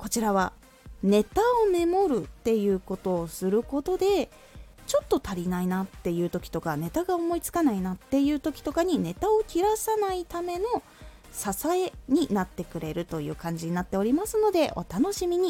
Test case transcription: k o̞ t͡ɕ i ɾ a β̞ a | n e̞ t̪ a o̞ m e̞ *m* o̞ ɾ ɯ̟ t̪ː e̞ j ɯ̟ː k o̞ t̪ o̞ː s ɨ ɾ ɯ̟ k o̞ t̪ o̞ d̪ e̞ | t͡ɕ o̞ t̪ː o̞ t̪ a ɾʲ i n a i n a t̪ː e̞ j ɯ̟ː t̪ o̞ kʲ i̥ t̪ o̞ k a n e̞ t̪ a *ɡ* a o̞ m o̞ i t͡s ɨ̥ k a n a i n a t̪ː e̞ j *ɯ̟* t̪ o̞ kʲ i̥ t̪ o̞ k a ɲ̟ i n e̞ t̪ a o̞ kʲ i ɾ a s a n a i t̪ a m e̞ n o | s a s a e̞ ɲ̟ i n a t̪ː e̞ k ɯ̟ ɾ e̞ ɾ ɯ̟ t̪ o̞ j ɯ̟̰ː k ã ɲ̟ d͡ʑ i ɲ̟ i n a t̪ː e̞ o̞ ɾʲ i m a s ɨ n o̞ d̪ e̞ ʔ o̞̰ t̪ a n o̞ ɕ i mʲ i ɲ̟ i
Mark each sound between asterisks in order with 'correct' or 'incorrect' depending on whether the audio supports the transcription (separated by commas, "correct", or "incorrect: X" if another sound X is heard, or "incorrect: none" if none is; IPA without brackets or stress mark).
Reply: correct, correct, incorrect: ɯ̟ː